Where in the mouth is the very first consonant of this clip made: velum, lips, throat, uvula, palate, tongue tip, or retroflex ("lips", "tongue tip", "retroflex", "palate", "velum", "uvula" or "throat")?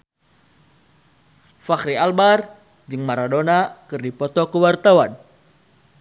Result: lips